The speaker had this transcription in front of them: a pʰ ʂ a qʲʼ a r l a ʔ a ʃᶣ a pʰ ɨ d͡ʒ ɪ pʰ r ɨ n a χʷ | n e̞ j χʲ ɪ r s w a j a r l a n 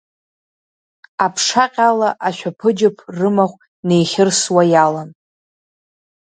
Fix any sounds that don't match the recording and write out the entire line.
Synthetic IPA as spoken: a pʰ ʂ a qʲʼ a l a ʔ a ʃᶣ a pʰ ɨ d͡ʒ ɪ pʰ r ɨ m a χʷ | n e̞ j χʲ ɪ r s w a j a l a n